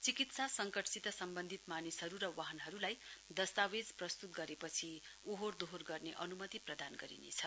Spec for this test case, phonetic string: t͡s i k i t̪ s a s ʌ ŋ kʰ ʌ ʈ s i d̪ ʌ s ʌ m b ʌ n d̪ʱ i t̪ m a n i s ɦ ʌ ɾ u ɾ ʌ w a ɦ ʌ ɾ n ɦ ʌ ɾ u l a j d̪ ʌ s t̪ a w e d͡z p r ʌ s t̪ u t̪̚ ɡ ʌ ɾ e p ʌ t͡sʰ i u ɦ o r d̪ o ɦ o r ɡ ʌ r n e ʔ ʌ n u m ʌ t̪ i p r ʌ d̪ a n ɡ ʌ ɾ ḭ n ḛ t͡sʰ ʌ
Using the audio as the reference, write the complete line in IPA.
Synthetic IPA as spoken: t͡s i k i t̪ s a s ʌ ŋ k ʌ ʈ s i t̪ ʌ s ʌ m b ʌ n d̪ʱ i t̪ m a n i s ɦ ʌ ɾ u ɾ ʌ w a ɦ ʌ n ɦ ʌ ɾ u l a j d̪ ʌ s t̪ a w e d͡z p r ʌ s t̪ u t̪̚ ɡ ʌ ɾ e p ʌ t͡sʰ i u ɦ o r d̪ o ɦ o r ɡ ʌ r n e ʔ ʌ n u m ʌ t̪ i p r ʌ d̪ a n ɡ ʌ ɾ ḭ n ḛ t͡sʰ ʌ

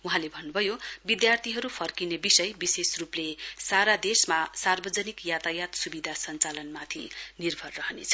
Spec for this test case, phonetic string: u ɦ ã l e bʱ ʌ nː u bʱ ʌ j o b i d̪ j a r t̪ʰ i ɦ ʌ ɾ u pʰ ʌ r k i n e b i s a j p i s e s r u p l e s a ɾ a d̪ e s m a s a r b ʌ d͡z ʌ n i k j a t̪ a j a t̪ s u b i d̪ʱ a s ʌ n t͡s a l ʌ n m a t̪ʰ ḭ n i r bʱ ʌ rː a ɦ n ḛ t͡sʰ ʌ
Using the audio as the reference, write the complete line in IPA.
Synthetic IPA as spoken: u ɦ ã l e bʱ ʌ nː u bʱ ʌ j o b i d̪ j a r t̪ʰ i ɦ ʌ ɾ u pʰ ʌ r k i n e b i s ʌ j b i s e s r u p l e s a ɾ a d̪ e s m a s a r b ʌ d͡z ʌ n i k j a t̪ a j a t̪ s u b i d̪ʱ a s ʌ n t͡s a l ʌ n m a t̪ʰ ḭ n i r bʱ ʌ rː ʌ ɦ n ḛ t͡sʰ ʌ

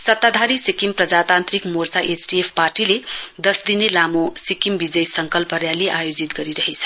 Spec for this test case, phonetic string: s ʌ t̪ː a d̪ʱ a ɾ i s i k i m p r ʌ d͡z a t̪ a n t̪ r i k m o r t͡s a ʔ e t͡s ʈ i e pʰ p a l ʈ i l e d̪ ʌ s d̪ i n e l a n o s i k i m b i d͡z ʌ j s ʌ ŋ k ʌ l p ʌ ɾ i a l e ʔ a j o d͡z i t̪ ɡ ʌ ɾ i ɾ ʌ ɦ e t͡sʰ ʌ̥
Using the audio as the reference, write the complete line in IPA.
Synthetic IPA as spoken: s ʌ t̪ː a d̪ʱ a ɾ i s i k i m p r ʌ d͡z a t̪ a n t̪ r i k m o r t͡s a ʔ e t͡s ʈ i e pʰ p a r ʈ i l e d̪ ʌ s d̪ i n e l a m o s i k i m b i d͡z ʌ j s ʌ ŋ k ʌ l p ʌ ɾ j a l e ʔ a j o d͡z i t̪ ɡ ʌ ɾ i ɾ ʌ ɦ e t͡sʰ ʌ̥

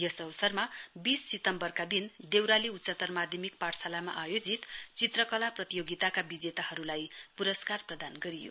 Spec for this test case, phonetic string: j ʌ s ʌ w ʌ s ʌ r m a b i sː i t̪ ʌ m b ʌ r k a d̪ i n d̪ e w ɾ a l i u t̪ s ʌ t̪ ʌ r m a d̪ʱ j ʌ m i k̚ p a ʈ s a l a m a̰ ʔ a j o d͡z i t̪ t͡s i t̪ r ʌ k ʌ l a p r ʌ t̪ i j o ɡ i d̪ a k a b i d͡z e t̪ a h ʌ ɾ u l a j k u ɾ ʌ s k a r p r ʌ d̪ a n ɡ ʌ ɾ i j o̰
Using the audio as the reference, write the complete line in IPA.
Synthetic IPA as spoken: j ʌ s ʌ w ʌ s ʌ r m a b i sː i t̪ ʌ m b ʌ r k a d̪ i n d̪ e w ɾ a l i u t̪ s ʌ t̪ ʌ r m a d̪ʱ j ʌ m i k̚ p a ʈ s a l a m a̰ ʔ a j o d͡z i t̪ t͡s i t̪ r ʌ k ʌ l a p r ʌ t̪ i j o ɡ i t̪ a k a b i d͡z e t̪ a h ʌ ɾ u l a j p u ɾ ʌ s k a r p r ʌ d̪ a n ɡ ʌ ɾ i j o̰

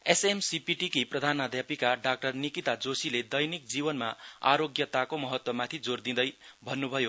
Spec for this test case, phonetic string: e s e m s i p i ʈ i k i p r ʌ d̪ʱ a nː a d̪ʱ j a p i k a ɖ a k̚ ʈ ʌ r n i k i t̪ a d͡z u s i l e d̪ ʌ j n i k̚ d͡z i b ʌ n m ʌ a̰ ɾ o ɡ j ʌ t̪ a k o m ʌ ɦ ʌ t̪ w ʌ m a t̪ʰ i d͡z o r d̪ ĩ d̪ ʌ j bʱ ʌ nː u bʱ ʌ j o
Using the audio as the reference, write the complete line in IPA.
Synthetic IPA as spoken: e s e m s i p i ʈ i k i p r ʌ d̪ʱ a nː a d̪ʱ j a p i k a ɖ a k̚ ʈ ʌ r n i k i t̪ a d͡z o s i l e d̪ ʌ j n i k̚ d͡z i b ʌ n m a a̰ ɾ o ɡ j ʌ t̪ a k o m ʌ ɦ ʌ t̪ w ʌ m a t̪ʰ i d͡z o r d̪ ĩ d̪ ʌ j bʱ ʌ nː u bʱ ʌ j o

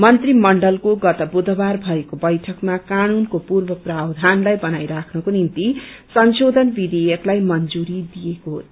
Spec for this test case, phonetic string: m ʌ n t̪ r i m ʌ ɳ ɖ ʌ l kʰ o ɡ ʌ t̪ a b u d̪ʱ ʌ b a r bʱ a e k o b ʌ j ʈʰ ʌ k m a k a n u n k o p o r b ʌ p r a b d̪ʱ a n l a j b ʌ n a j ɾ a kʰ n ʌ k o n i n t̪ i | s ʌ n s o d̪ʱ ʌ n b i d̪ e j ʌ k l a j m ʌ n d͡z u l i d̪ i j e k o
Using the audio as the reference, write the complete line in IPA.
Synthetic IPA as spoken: m ʌ n t̪ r i m ʌ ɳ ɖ ʌ l k o ɡ ʌ t̪ ʌ b u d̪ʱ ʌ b a r bʱ ʌ e k o b ʌ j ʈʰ ʌ k m a k a n u n k o p u r b ʌ p r a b d̪ʱ a n l a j b ʌ n a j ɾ a kʰ n ʌ k o n i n t̪ i | s ʌ n s o d̪ʱ ʌ n b i d̪ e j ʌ k l a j m ʌ n d͡z u ɾ i d̪ i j e k o

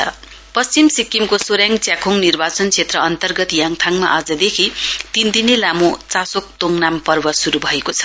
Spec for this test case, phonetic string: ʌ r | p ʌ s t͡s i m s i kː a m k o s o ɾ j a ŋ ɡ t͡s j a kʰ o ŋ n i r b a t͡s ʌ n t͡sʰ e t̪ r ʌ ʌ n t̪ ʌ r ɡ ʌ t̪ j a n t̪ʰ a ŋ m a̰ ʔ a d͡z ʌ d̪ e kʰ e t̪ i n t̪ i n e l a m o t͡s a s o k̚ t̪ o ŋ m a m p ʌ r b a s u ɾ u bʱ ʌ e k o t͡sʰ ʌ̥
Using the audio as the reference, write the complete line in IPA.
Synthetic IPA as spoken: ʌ | p ʌ s t͡s i m s i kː i m k o s o ɾ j a ŋ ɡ t͡s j a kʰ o ŋ n i r b a t͡s ʌ n t͡sʰ e t̪ r ʌ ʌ n t̪ ʌ r ɡ ʌ t̪ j a ŋ t̪ʰ a ŋ m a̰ ʔ a d͡z ʌ d̪ e kʰ i t̪ i n d̪ i n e l a m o t͡s a s o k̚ t̪ o ŋ n a m p ʌ r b ʌ s u ɾ u bʱ ʌ e k o t͡sʰ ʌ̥

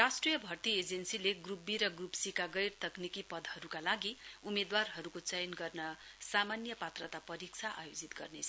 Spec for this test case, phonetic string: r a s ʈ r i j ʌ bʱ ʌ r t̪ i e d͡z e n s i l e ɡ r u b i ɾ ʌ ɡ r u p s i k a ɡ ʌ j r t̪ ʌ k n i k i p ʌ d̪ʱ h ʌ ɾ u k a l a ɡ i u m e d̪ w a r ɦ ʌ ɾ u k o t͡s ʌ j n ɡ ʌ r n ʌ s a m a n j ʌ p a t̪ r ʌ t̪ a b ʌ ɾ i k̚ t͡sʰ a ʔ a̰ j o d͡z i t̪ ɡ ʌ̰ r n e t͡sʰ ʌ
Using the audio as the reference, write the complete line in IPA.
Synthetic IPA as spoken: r a s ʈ r i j ʌ bʱ ʌ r t̪ i e d͡z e n s i l e ɡ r u b i ɾ ʌ ɡ r u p s i k a ɡ ʌ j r t̪ ʌ k n i k i p ʌ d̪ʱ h ʌ ɾ u k a l a ɡ i u m e d̪ w a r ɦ ʌ ɾ u k o t͡s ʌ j n ɡ ʌ r n ʌ s a m a n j ʌ p a t̪ r ʌ t̪ a p ʌ ɾ i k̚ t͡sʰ a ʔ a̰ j o d͡z i t̪ ɡ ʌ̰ r n e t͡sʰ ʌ

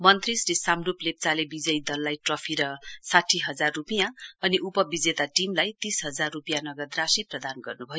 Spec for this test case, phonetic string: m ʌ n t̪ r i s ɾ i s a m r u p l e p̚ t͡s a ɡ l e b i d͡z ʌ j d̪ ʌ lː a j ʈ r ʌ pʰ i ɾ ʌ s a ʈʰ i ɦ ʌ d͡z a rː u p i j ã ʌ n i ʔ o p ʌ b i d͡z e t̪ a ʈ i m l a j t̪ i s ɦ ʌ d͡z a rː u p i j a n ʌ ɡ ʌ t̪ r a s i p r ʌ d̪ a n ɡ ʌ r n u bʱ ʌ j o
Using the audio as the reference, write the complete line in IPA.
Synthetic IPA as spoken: m ʌ n t̪ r i s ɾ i s a m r u p l e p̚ t͡s a l e b i d͡z ʌ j d̪ ʌ lː a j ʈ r ʌ pʰ i ɾ ʌ s a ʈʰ i ɦ ʌ d͡z a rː u p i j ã ʌ n i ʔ u p ʌ b i d͡z e t̪ a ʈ i m l a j t̪ i s ɦ ʌ d͡z a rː u p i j a n ʌ ɡ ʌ d̪ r a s i p r ʌ d̪ a n ɡ ʌ r n u bʱ ʌ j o

